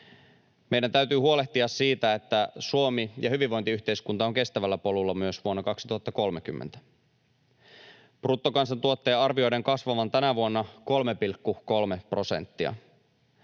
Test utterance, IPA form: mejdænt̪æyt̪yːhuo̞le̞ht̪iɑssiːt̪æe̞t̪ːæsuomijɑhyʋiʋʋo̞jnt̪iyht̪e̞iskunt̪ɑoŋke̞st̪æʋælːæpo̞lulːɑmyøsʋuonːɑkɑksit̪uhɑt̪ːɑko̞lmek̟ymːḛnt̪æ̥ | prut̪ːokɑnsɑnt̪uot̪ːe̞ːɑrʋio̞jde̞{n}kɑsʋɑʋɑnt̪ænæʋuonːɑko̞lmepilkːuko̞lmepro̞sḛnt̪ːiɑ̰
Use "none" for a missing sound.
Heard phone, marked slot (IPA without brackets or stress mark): ŋ